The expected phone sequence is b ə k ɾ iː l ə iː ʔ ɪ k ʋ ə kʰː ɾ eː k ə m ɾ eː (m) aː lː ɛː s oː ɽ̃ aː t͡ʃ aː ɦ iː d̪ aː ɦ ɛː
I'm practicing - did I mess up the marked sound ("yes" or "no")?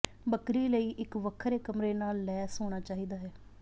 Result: yes